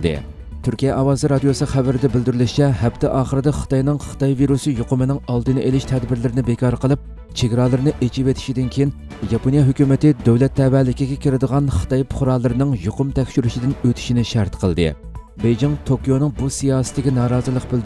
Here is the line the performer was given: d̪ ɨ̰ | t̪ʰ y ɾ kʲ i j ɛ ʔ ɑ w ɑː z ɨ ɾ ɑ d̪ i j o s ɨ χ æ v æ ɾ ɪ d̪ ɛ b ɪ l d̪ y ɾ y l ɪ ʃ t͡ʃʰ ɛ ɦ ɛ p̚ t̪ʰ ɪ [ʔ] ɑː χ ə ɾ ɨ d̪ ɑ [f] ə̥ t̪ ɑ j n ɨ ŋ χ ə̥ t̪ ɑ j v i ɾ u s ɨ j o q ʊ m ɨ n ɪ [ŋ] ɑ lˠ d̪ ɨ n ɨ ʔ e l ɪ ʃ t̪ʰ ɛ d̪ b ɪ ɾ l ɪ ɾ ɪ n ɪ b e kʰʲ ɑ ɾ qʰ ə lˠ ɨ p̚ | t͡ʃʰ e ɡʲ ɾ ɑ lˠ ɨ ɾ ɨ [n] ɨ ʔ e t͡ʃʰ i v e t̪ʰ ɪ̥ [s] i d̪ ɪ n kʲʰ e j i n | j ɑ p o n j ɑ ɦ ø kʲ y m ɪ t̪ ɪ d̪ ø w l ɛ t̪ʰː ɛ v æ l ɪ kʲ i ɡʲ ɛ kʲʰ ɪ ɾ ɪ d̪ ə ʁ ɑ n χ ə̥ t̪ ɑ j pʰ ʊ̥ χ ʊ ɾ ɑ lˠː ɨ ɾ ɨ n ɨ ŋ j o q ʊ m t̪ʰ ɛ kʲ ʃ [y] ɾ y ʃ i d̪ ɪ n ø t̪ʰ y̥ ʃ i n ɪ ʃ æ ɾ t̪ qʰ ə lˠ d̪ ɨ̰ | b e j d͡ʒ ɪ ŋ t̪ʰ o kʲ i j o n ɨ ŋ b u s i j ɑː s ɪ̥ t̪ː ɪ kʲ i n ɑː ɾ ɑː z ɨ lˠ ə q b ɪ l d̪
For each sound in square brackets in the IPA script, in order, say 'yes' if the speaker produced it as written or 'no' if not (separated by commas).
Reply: yes, no, yes, yes, no, yes